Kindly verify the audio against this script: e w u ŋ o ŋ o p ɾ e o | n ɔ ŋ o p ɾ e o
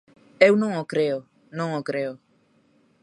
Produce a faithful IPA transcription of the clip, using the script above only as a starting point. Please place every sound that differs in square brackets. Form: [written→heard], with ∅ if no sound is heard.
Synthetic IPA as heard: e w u [ŋ→n] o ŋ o [p→k] ɾ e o | n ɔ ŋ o [p→k] ɾ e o